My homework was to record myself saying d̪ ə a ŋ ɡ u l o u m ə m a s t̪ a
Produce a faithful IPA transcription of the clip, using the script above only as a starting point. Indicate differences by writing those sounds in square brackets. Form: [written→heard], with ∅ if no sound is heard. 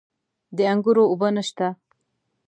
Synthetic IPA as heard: d̪ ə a ŋ ɡ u [l→ɾ] o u [m→b] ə [m→n] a [s→ʃ] t̪ a